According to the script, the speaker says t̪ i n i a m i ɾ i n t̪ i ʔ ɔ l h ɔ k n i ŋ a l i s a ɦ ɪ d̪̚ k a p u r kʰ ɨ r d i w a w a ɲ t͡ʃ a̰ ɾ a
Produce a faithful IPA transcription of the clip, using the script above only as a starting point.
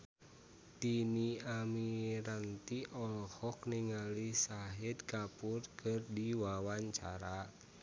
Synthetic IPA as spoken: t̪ i n i a m i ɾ a n t̪ i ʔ ɔ l h ɔ k n i ŋ a l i s a ɦ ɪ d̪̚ k a p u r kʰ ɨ r d i w a w a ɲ t͡ʃ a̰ ɾ a